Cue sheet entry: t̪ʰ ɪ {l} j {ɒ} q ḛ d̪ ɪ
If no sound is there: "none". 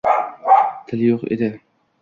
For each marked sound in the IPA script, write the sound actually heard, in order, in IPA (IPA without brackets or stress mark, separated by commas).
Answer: l, o